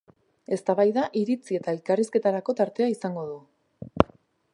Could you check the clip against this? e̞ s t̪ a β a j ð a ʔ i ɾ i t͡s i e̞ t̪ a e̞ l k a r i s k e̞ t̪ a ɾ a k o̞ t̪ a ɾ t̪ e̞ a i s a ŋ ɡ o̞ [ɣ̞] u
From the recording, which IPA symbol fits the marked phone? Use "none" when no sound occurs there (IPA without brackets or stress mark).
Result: ð̞